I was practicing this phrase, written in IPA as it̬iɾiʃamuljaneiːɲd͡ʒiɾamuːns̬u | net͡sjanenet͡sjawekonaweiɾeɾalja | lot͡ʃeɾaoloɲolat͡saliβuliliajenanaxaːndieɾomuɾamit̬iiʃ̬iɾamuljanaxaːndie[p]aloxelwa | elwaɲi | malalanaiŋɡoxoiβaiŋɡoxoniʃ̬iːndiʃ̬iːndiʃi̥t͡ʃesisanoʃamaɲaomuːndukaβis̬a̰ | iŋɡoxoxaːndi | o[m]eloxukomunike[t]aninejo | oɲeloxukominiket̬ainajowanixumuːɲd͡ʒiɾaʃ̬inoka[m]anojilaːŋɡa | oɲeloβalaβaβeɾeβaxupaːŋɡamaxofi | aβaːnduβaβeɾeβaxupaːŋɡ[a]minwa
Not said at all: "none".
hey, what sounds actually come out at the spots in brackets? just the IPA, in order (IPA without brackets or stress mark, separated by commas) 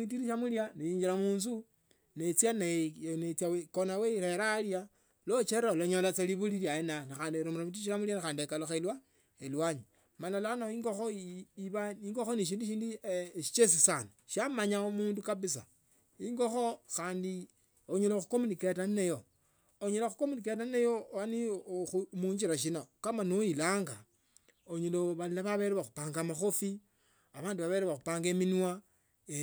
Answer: k, ɲ, t, m, e